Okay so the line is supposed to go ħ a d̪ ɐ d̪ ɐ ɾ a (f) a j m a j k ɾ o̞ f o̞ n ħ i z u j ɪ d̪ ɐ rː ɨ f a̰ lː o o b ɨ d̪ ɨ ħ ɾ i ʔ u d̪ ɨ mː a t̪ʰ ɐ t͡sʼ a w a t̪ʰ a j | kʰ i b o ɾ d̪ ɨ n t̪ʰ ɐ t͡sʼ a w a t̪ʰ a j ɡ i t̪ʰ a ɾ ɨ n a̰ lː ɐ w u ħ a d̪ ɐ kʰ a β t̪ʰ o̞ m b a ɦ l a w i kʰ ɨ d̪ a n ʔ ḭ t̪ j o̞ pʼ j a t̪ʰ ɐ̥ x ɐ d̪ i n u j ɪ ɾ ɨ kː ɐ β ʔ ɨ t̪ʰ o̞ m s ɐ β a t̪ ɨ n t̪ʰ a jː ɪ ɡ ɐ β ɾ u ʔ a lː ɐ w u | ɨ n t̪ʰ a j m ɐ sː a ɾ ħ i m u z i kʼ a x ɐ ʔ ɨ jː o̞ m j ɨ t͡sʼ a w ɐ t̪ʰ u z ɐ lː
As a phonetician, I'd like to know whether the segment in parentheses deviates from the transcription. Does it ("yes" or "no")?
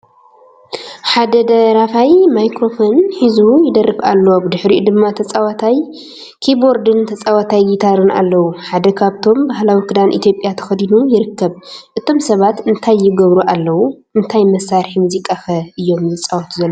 no